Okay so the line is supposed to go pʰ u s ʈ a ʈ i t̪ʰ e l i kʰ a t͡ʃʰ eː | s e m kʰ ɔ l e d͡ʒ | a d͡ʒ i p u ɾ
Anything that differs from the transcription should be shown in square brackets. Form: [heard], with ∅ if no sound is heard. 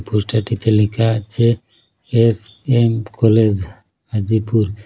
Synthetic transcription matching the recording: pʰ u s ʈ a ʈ i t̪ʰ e l i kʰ a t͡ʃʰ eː | s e m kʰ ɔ l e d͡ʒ | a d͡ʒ i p u ɾ